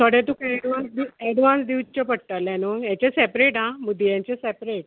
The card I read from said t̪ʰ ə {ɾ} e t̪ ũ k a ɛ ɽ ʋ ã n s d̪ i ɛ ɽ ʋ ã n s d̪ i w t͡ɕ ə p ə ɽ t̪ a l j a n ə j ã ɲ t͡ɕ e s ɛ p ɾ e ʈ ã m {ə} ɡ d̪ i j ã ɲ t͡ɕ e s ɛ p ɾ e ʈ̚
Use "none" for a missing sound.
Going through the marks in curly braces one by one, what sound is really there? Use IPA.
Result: ɽ, ə

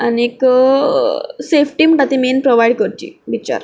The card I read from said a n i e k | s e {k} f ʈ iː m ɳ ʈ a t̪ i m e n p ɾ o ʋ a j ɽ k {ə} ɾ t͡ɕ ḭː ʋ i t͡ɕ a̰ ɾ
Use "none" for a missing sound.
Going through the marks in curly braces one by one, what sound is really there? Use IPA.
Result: none, ə

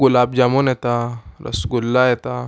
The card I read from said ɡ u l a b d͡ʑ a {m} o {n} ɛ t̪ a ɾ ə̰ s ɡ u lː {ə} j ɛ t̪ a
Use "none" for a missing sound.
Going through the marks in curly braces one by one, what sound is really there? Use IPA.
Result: m, n, a

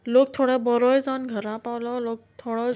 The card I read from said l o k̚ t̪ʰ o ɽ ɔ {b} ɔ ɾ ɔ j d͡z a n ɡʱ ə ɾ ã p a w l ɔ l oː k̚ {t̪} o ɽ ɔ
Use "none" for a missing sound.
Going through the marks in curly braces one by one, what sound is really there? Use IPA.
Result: b, t̪ʰ

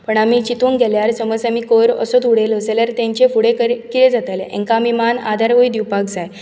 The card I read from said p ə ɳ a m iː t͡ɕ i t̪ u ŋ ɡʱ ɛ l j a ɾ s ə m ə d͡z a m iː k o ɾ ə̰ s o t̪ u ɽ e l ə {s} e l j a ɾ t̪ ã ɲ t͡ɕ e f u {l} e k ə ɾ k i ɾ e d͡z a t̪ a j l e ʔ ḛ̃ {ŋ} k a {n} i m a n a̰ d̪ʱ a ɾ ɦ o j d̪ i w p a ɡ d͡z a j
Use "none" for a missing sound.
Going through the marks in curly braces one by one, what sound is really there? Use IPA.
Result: s, ɽ, ŋ, m

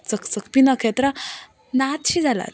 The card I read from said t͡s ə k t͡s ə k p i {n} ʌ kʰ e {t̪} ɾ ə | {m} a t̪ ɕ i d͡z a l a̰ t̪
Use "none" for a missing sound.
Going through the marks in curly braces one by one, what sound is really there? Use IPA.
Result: n, t̪, n

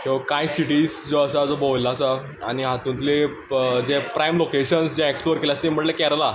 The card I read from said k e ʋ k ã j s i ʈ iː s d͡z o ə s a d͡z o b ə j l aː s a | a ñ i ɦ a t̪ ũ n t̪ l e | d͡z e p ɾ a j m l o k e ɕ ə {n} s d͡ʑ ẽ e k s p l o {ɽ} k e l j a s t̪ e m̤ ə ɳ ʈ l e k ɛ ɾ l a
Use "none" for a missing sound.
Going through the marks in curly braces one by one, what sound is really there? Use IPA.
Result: n, ɾ

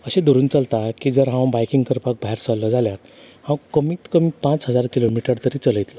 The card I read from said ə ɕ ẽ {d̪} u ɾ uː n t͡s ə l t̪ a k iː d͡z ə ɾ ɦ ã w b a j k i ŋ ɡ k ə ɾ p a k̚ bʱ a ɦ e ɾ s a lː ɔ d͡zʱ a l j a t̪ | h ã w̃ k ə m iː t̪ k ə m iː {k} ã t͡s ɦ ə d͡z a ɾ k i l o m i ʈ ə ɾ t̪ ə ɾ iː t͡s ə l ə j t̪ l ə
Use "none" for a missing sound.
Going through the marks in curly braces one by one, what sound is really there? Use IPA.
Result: d̪, p

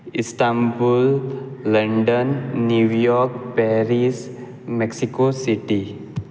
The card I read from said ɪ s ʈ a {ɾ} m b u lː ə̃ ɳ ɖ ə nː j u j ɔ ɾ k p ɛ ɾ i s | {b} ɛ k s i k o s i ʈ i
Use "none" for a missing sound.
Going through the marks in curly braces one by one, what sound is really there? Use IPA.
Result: none, m

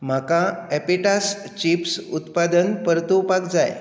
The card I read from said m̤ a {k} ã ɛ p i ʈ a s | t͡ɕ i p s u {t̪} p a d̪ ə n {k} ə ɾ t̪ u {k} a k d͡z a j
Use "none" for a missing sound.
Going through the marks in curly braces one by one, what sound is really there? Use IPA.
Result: k, t̪, p, p

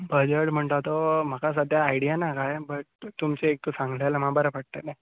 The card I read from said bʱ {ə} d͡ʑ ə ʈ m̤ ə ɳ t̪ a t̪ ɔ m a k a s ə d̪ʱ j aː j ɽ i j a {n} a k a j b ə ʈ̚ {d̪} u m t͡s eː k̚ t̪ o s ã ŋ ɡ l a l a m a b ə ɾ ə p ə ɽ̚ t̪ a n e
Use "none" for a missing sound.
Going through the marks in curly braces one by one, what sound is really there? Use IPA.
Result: ə, n, t̪

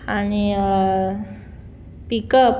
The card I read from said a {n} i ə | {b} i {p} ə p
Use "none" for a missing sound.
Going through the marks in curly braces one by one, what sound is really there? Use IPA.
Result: n, p, k

